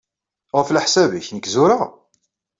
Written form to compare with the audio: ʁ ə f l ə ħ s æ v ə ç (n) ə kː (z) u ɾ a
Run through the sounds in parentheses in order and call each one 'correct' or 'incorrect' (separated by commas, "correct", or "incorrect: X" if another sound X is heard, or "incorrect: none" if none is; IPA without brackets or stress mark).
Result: correct, correct